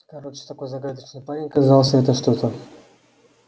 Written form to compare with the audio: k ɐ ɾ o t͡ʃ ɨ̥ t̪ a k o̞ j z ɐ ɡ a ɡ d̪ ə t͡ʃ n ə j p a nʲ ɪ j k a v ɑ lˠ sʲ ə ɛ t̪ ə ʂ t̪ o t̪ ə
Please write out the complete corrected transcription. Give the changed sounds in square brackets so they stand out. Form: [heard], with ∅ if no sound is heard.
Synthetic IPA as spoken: k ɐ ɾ o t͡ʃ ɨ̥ t̪ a k o̞ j z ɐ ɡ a [∅] d̪ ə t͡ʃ n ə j p a nʲ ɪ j k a [z] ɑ lˠ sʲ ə ɛ t̪ ə ʂ t̪ o t̪ ə